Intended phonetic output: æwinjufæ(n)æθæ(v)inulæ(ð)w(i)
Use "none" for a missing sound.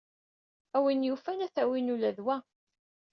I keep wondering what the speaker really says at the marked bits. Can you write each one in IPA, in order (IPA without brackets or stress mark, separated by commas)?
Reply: n, w, ð, æ